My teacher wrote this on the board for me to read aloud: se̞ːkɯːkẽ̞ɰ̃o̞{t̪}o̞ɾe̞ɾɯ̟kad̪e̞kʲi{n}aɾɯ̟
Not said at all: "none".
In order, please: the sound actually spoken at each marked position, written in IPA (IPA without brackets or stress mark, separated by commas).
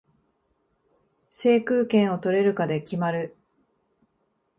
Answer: t̪, m